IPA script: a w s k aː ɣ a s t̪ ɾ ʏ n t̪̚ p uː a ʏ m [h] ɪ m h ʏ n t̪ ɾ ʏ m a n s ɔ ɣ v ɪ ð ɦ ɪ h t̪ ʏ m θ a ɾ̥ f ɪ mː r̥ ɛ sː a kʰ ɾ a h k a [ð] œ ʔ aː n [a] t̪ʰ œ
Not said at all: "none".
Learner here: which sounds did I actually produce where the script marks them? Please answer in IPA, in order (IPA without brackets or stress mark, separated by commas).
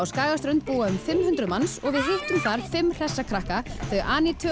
f, θ, i